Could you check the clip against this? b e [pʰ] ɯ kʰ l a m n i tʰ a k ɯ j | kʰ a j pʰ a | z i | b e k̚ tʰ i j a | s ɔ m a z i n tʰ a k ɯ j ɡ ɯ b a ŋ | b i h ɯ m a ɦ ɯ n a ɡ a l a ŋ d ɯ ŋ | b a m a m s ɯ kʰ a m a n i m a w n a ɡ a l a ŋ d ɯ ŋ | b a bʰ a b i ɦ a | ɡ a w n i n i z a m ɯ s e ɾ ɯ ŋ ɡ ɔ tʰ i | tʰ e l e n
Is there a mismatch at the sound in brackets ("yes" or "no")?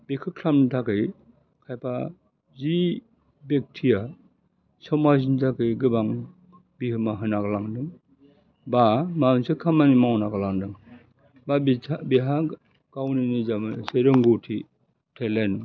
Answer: yes